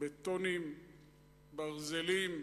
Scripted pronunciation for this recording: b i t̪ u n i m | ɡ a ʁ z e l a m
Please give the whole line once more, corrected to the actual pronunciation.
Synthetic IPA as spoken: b e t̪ o n i m | b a ʁ z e l i m